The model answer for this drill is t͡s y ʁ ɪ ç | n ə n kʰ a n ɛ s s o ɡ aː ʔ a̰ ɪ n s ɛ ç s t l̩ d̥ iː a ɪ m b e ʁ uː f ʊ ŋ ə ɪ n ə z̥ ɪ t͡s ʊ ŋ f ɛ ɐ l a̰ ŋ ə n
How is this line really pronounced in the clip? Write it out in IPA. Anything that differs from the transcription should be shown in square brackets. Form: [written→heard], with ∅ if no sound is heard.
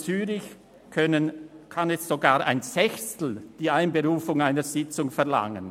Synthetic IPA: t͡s [y→yː] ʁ ɪ ç | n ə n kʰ a n ɛ s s o ɡ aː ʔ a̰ ɪ n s ɛ ç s t l̩ d̥ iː a ɪ [m→n] b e ʁ uː f ʊ ŋ [ə→a] ɪ n ə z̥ ɪ t͡s ʊ ŋ f ɛ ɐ l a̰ ŋ ə n